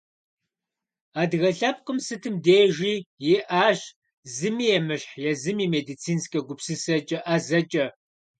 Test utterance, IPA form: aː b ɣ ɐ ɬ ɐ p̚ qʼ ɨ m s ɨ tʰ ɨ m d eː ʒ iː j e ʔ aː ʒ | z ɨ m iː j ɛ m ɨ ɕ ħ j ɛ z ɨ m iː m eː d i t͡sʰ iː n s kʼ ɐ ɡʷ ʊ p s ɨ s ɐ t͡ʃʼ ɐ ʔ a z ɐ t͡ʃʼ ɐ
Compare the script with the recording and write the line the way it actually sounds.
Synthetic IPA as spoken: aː d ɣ ɐ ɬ ɐ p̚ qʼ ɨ m s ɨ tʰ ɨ m d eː ʒ iː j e ʔ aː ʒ | z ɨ m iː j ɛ m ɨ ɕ ħ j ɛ z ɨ m iː m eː d i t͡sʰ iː n s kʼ ɐ ɡʷ ʊ p s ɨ s ɐ t͡ʃʼ ɐ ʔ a z ɐ t͡ʃʼ ɐ